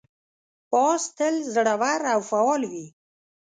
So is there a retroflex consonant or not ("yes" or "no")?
yes